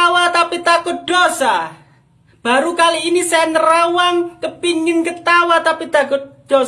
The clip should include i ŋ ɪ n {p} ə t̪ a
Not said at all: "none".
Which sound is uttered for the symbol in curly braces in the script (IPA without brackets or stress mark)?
k